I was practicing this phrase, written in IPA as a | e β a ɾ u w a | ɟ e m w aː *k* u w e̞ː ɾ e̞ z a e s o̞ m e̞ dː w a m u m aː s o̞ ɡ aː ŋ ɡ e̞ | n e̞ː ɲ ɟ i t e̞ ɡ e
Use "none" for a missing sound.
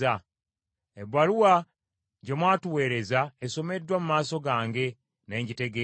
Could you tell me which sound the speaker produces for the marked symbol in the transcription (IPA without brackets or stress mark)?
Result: t